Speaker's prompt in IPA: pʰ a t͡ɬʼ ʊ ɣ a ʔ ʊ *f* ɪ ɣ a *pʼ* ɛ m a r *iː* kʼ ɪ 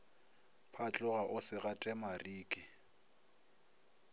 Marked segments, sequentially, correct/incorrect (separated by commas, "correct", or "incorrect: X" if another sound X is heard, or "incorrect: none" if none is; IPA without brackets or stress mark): incorrect: s, incorrect: tʼ, correct